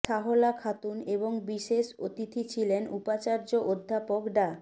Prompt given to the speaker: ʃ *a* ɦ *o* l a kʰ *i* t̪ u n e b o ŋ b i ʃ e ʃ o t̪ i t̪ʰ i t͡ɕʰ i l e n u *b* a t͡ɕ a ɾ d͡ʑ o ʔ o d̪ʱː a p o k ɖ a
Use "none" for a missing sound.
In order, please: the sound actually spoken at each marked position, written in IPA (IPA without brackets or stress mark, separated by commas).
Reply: a, o, a, p